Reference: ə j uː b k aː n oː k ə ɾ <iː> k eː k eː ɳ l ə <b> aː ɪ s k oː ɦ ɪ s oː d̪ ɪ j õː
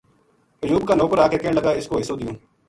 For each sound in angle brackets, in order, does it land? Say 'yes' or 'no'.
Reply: no, no

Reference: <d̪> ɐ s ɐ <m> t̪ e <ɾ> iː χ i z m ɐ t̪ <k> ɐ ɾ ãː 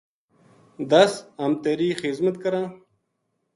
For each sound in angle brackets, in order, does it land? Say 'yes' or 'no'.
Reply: yes, yes, yes, yes

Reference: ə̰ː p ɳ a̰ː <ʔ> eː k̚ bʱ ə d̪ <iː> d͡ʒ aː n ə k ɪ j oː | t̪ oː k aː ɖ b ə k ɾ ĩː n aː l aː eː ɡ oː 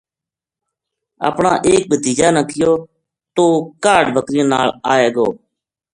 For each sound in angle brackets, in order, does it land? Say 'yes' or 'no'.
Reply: yes, yes

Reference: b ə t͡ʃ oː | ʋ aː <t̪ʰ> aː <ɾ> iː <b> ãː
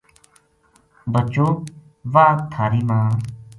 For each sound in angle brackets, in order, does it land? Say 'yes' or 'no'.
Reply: yes, yes, no

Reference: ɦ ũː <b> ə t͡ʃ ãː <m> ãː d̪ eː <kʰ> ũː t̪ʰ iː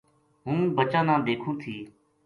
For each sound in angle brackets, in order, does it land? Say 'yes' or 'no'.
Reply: yes, no, yes

